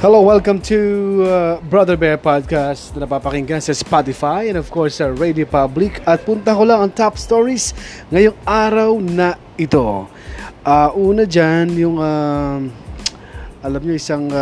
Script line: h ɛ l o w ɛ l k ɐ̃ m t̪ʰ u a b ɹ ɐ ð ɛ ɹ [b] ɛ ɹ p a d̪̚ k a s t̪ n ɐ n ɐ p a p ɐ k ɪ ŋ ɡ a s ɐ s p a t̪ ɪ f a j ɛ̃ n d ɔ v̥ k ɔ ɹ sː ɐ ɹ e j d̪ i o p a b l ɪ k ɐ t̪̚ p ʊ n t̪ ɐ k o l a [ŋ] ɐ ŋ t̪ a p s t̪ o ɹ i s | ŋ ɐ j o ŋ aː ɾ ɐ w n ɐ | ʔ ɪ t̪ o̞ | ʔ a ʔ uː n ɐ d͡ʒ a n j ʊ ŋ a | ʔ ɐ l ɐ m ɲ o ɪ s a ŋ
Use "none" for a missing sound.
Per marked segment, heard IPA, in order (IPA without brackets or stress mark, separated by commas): b, ŋ